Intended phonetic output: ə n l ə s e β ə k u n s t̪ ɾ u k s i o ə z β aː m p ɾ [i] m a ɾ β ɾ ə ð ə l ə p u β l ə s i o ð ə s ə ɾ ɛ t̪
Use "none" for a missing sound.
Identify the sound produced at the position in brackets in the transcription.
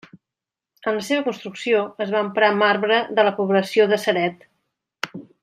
a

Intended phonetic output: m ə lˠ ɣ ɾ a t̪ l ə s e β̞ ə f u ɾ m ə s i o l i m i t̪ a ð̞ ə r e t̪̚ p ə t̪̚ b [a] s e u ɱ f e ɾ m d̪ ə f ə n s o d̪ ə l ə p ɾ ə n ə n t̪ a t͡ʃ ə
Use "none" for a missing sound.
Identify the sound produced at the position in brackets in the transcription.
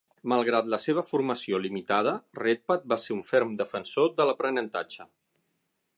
a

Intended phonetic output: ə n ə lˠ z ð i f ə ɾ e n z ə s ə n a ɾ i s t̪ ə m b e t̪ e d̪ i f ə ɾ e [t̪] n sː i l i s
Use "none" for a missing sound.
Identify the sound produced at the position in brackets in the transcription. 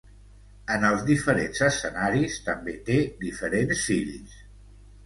none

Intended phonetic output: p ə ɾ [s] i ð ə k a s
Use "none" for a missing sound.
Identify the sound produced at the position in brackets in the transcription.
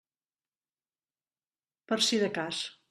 s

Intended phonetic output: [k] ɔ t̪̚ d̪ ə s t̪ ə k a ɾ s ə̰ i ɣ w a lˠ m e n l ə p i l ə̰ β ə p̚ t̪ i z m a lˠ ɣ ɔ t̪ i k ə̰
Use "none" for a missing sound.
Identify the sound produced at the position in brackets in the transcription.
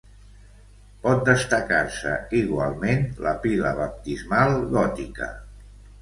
p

